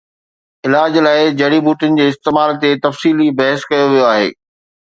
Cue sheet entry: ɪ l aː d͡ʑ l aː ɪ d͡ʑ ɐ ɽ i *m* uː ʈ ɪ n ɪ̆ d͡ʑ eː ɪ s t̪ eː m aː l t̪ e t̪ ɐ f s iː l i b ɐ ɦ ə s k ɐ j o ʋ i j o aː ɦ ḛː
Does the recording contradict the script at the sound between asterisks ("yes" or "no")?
yes